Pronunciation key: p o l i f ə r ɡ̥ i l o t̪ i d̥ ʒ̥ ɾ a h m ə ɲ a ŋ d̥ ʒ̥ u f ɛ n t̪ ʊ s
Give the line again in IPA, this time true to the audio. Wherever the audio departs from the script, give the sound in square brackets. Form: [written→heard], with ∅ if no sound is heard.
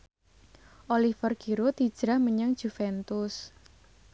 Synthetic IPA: [p→ʔ] o l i f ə r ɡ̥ i [l→ɾ] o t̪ i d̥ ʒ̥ ɾ a h m ə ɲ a ŋ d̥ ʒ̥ u f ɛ n t̪ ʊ s